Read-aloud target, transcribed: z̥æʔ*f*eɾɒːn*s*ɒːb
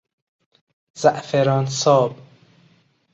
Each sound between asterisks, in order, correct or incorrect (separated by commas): correct, correct